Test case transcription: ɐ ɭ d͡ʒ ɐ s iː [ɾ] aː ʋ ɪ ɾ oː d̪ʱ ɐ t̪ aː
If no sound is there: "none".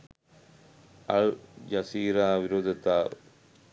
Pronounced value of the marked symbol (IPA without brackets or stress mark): ɾ